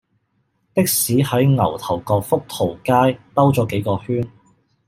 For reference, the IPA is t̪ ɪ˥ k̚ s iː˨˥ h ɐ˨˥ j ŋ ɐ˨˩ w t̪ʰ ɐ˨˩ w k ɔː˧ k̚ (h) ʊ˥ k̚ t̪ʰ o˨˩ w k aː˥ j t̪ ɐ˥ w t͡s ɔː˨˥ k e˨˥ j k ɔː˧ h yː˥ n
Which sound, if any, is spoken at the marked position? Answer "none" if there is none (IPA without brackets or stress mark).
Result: f